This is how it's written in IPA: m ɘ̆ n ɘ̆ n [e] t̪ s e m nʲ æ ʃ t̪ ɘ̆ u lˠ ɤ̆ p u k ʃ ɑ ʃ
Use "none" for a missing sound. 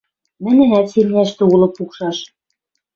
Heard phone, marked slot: æ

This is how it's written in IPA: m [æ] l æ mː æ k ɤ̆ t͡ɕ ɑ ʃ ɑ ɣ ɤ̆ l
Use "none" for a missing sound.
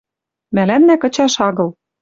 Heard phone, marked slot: æ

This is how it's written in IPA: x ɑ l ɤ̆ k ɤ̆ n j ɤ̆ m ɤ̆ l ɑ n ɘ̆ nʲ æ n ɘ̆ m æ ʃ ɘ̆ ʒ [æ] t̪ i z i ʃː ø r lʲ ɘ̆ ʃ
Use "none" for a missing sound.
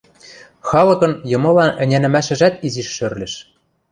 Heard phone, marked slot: æ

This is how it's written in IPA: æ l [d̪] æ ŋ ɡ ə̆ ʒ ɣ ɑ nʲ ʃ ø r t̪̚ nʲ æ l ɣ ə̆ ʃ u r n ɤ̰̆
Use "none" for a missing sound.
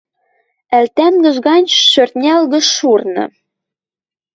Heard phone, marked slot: t̪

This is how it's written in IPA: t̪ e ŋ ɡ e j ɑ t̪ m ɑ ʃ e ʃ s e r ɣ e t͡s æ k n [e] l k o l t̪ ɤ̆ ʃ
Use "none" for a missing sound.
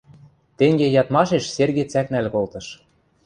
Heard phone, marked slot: æ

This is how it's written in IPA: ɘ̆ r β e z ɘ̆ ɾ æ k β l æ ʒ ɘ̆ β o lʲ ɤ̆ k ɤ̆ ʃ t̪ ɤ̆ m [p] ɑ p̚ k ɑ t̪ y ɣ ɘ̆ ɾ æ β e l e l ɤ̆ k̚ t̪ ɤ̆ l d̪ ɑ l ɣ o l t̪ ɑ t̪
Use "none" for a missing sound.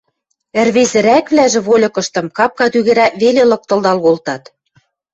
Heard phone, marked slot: k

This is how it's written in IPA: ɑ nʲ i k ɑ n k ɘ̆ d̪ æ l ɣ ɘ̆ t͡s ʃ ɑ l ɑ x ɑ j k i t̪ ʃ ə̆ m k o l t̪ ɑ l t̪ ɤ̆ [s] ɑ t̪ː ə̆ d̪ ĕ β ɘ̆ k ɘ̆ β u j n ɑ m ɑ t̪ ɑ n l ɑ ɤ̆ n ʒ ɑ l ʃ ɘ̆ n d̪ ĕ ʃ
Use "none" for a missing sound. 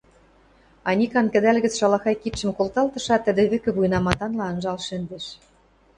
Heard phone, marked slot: ʃ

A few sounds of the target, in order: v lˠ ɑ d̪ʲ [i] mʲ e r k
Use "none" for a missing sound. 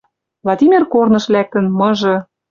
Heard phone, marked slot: i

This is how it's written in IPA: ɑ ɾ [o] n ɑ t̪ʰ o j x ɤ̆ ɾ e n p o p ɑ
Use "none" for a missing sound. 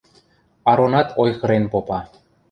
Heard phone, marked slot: o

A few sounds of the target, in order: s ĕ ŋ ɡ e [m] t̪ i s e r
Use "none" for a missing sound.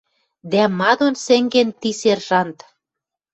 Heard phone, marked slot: n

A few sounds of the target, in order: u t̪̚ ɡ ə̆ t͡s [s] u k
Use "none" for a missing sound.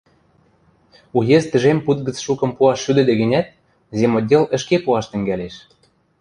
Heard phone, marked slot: ʃ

